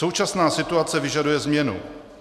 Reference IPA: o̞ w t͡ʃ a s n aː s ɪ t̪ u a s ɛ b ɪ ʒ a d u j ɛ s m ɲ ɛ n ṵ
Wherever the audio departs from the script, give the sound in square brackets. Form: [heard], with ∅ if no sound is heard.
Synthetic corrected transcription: o̞ w t͡ʃ a s n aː s ɪ t̪ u a [t͡s] ɛ [v] ɪ ʒ a d u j ɛ [z] m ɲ ɛ n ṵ